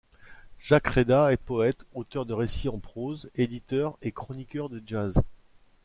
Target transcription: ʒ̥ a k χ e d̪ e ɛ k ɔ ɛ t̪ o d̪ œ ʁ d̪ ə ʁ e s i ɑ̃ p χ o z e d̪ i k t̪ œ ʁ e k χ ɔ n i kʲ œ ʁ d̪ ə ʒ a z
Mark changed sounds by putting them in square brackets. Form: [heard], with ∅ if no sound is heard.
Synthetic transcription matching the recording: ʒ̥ a k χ e d̪ [a] ɛ [p] ɔ ɛ t̪ o [t̪] œ ʁ d̪ ə ʁ e s i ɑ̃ p χ o z e d̪ i [∅] t̪ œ ʁ e k χ ɔ n i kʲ œ ʁ d̪ ə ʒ a z